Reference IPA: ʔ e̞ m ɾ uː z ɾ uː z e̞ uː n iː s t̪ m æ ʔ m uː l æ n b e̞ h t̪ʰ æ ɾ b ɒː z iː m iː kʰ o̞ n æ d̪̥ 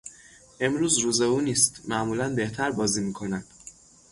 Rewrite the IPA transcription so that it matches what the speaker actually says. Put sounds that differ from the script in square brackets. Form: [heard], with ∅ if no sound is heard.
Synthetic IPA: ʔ e̞ m ɾ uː z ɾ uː z e̞ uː n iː s t̪ m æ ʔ m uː l æ n b e̞ h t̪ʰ æ ɾ b ɒː z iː m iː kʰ o̞ n æ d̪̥